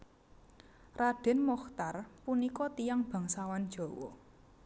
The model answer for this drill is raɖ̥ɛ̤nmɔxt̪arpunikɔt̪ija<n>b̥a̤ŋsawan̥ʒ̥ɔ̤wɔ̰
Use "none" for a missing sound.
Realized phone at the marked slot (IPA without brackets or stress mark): ŋ